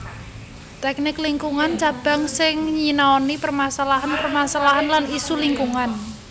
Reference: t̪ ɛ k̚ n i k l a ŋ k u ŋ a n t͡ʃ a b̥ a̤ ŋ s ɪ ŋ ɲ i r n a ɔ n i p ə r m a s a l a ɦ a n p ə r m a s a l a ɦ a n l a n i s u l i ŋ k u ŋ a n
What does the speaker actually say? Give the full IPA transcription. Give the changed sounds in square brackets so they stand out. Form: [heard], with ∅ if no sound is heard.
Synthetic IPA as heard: t̪ ɛ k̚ n [ɪ] k l [i] ŋ k u ŋ a n t͡ʃ a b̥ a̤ ŋ s ɪ ŋ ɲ i [∅] n a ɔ n i p ə r m a s a l a ɦ a n p ə r m a s a l a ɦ a n l a n i s u l i ŋ k u ŋ a n

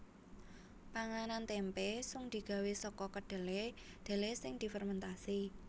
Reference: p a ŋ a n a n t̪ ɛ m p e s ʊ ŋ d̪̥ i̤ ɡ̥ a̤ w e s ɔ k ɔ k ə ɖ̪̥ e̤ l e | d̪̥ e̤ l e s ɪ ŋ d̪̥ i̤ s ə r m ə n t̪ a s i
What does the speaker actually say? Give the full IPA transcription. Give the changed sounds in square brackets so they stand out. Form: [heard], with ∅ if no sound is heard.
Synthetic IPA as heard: p a ŋ a n a n t̪ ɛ m p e s ʊ ŋ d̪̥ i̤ ɡ̥ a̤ w e s ɔ k ɔ k ə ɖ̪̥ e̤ l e | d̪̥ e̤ l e s ɪ ŋ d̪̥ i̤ [f] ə r m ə n t̪ a s i

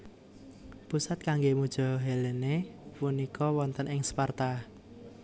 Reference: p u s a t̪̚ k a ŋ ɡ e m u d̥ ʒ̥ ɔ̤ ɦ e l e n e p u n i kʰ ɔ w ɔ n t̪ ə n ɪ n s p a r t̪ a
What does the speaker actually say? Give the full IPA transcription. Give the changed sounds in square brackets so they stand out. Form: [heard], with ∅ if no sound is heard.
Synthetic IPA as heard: p u s a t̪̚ k a ŋ ɡ e m u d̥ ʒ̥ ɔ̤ ɦ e l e n e p u n i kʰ ɔ w ɔ n t̪ ə n ɪ [ŋ] s p a r t̪ a

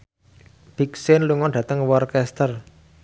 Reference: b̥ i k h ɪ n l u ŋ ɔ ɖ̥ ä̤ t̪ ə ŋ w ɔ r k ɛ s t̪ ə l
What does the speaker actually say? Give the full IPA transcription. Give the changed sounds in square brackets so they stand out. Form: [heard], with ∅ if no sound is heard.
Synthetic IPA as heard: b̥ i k [s] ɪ n l u ŋ ɔ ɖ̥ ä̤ t̪ ə ŋ w ɔ r k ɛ s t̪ ə [r]

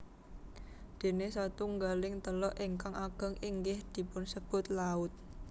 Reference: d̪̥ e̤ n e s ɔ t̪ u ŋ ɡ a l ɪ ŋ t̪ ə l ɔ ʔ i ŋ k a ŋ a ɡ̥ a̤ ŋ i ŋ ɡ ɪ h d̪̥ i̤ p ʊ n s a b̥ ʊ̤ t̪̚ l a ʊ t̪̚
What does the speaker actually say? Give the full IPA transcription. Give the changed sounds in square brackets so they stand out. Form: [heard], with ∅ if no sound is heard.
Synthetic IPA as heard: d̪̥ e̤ n e s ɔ t̪ u ŋ ɡ a l ɪ ŋ t̪ ə l ɔ ʔ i ŋ k a ŋ a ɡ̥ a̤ ŋ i ŋ ɡ ɪ h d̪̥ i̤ p ʊ n s [ə] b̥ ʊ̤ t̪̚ l a ʊ t̪̚

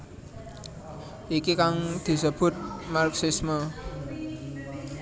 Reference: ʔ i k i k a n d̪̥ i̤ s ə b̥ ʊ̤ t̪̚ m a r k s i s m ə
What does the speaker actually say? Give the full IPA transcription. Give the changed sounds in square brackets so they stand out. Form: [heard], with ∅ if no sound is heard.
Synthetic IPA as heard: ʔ i k i k a [ŋ] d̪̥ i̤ s ə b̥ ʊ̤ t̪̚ m a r k s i s m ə

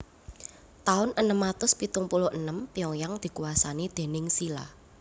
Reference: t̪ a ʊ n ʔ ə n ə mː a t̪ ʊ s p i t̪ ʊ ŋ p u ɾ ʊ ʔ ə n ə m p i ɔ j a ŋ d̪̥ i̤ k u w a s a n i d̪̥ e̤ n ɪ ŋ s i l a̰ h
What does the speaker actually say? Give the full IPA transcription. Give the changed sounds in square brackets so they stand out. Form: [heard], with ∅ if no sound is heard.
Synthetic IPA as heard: t̪ a ʊ n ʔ ə n ə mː a t̪ ʊ s p i t̪ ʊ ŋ p u [l] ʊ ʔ ə n ə m p i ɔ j a ŋ d̪̥ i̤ k u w a s a n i d̪̥ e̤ n ɪ ŋ s i l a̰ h

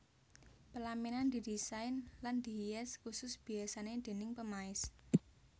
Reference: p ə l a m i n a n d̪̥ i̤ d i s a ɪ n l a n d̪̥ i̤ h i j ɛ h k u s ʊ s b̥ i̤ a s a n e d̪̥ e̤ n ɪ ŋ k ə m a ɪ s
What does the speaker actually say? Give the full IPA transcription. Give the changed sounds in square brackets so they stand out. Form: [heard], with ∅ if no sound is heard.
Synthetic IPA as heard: p ə l a m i n a n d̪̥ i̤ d i s a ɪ n l a n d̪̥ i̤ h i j ɛ [s] k u s ʊ s b̥ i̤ a s a n e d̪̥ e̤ n ɪ ŋ [p] ə m a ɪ s

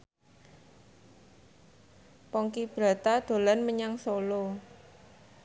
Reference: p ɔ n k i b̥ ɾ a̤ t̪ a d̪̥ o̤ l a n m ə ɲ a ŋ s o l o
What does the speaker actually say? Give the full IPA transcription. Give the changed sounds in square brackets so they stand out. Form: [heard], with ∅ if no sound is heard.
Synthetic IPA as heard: p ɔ [ŋ] k i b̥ ɾ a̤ t̪ a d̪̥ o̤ l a n m ə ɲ a ŋ s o l o

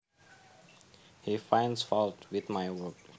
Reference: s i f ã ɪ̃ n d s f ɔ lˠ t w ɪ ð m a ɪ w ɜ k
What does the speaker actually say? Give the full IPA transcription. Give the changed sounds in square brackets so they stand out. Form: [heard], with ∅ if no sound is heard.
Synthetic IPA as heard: [h] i f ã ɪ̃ n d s f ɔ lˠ t w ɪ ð m a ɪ w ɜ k

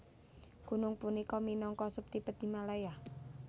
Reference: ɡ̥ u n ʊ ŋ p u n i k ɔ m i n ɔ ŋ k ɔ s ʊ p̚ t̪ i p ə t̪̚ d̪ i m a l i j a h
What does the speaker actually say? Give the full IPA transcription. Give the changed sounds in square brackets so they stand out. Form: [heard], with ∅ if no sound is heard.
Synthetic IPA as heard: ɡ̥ u n ʊ ŋ p u n i k ɔ m i n ɔ ŋ k ɔ s ʊ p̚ t̪ i p ə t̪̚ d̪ i m a l [a] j a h

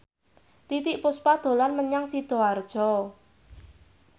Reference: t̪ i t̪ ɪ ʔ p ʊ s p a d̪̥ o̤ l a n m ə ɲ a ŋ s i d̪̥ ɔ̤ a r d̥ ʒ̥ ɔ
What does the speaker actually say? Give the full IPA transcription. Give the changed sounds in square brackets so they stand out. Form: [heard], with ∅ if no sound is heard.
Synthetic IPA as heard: t̪ i t̪ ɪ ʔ p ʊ s p a d̪̥ o̤ l a n m ə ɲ a ŋ s i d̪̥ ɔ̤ a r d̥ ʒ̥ ɔ

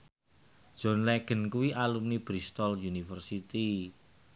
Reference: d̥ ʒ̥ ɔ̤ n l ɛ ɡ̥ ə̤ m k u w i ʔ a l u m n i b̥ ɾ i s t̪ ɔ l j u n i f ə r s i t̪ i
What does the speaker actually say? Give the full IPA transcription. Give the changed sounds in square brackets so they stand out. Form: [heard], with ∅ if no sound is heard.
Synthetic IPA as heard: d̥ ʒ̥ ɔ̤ n l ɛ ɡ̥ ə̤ [n] k u w i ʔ a l u m n i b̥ ɾ i s t̪ ɔ l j u n i f ə r s i t̪ i

